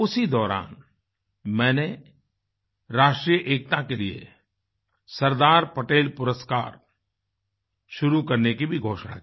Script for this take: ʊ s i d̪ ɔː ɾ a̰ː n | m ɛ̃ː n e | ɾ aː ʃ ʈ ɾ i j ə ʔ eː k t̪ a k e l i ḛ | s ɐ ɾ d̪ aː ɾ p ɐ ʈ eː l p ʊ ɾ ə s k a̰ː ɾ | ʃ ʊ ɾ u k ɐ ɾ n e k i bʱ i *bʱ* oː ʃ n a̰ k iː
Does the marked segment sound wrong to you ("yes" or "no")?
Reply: yes